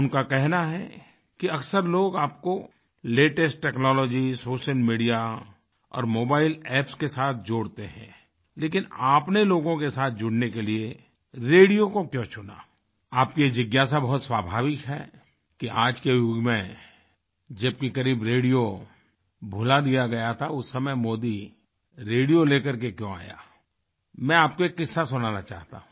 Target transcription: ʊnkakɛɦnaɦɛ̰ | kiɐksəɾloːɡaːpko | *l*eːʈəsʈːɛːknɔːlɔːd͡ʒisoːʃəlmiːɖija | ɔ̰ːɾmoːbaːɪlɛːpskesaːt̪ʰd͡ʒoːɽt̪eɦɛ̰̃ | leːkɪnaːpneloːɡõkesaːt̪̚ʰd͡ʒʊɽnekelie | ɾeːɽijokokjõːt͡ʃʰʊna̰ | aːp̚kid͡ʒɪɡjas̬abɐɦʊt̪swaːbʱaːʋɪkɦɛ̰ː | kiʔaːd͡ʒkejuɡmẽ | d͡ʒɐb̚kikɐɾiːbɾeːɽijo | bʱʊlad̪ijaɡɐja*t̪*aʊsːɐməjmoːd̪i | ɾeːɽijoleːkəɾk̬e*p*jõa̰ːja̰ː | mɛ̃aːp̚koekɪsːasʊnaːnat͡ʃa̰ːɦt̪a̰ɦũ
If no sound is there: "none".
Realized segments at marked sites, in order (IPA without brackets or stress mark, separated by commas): l, t̪ʰ, k